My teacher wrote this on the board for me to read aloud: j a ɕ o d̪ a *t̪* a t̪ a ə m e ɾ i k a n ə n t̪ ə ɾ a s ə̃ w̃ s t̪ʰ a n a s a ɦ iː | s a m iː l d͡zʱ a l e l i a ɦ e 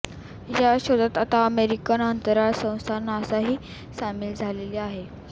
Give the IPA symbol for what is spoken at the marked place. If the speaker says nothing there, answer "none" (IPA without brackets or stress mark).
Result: t̪